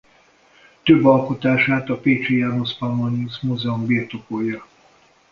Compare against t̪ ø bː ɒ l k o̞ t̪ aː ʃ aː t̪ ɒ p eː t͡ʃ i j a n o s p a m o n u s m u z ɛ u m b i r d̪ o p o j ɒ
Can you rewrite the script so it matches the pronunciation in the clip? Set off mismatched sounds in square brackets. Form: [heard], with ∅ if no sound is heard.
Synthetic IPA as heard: t̪ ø bː ɒ l k o̞ t̪ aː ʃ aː t̪ ɒ p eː t͡ʃ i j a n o s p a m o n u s m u z ɛ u m b i r [t̪] o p o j ɒ